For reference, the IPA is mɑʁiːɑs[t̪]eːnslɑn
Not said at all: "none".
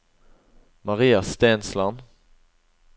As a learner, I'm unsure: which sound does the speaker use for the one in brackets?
t̪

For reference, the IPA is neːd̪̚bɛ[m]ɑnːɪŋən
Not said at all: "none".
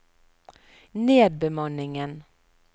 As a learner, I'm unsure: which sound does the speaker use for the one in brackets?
m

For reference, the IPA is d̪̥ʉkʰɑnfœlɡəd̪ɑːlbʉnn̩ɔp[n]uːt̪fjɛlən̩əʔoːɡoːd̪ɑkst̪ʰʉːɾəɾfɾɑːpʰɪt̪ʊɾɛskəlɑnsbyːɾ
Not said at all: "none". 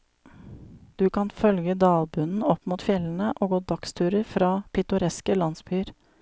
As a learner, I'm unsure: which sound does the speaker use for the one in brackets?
m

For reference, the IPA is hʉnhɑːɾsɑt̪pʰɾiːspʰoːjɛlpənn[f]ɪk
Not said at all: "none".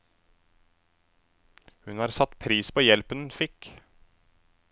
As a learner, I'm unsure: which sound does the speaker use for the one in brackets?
f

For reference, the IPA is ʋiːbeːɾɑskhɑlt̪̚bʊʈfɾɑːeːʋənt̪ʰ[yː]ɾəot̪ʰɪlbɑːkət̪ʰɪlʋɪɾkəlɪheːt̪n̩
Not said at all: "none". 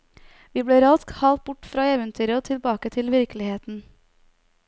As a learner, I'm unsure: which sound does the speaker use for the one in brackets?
yː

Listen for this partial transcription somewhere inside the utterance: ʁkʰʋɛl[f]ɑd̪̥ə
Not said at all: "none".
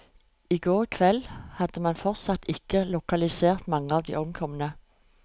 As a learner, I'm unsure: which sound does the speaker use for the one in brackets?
h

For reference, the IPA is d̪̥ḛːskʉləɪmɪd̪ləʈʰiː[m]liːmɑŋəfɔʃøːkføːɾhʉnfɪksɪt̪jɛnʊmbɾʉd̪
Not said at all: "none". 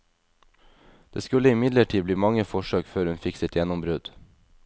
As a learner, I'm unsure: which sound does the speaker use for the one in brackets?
b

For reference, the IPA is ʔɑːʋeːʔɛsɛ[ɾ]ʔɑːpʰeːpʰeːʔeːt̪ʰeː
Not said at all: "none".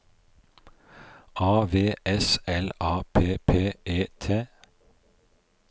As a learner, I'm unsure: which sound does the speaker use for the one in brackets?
l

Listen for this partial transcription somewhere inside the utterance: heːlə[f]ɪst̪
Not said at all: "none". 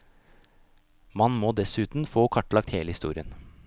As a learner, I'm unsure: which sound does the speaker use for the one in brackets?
h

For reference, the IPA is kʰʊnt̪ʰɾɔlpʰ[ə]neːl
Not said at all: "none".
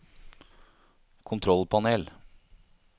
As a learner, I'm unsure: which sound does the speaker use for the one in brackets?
ɑ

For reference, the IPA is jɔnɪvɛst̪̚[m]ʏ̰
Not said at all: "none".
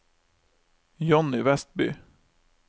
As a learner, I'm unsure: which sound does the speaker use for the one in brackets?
b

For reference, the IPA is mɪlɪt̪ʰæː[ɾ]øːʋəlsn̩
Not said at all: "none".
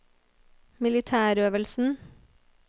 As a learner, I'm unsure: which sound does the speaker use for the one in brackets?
ɾ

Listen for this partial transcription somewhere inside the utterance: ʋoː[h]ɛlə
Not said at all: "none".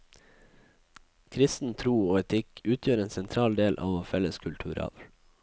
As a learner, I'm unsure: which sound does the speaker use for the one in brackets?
f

